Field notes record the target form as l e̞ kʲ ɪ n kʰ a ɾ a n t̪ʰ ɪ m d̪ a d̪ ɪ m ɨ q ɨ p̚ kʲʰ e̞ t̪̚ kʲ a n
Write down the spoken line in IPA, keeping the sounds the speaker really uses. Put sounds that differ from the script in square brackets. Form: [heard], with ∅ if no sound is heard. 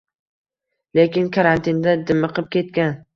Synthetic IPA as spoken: l e̞ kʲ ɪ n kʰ a ɾ a n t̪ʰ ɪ [n] d̪ a d̪ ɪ m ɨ q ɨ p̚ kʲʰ e̞ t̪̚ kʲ a n